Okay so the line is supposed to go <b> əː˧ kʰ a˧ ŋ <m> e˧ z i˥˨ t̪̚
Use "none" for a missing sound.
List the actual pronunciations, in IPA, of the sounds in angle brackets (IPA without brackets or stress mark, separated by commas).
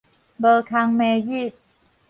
b, m